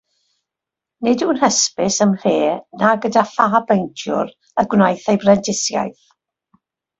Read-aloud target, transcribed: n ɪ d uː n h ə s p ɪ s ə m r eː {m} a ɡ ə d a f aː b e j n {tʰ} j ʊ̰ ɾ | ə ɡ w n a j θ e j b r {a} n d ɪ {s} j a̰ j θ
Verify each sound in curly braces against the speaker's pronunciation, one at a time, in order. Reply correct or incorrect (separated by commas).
incorrect, correct, incorrect, correct